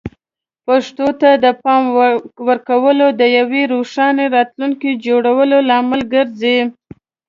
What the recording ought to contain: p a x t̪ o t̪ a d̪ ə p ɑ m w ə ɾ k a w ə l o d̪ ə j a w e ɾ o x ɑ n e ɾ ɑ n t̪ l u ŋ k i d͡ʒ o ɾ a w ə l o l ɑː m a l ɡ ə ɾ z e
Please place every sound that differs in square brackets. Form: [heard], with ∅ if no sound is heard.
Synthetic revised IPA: p a [ʂ] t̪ o t̪ a d̪ ə p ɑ m w ə ɾ k a w ə l o d̪ ə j a w e ɾ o [ʂ] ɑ n e ɾ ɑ [∅] t̪ l u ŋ k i d͡ʒ o [ɽ] a w ə l o l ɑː m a l ɡ ə ɾ z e

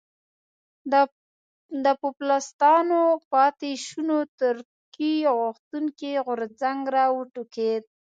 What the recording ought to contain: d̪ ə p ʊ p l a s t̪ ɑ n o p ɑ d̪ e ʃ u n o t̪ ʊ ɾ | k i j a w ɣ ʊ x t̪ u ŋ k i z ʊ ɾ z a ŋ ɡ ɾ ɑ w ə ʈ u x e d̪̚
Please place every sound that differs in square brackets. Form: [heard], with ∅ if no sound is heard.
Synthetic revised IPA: d̪ ə p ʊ p l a s t̪ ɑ n o p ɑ [t̪] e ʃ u n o t̪ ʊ ɾ | k i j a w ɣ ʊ x t̪ u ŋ k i [ɣ] ʊ ɾ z a ŋ ɡ ɾ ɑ w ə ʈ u [k] e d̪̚

